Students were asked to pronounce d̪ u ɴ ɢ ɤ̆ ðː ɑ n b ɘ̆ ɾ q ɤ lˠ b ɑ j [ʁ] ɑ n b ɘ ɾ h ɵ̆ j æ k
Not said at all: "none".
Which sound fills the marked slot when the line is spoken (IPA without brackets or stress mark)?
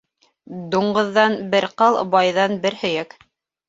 ð